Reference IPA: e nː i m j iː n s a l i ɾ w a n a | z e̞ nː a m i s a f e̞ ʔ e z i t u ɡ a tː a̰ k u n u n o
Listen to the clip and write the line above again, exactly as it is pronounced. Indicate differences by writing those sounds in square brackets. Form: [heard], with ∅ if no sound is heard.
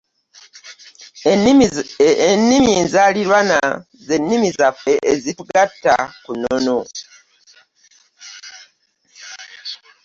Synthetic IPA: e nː i m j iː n [z] a l i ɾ w a n a | z e̞ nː [i] m i [z] a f e̞ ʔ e z i t u ɡ a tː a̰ k u n [o] n o